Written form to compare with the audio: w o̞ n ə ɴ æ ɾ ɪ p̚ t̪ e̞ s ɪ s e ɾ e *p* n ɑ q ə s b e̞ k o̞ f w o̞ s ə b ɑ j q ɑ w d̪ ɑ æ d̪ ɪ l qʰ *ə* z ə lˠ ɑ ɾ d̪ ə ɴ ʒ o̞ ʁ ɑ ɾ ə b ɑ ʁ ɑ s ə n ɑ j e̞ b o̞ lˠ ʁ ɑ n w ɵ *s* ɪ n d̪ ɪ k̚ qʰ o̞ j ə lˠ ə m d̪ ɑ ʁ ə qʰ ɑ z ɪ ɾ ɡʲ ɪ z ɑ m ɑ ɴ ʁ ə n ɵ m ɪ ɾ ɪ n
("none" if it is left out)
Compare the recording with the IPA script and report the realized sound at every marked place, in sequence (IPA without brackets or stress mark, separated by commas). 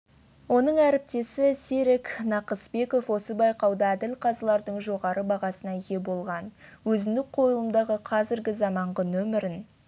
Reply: k, ɑ, z